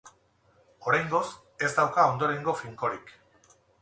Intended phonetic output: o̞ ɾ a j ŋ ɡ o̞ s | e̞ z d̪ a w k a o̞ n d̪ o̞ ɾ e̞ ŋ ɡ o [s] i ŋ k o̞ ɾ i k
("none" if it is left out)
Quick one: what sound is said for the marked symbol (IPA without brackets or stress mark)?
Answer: f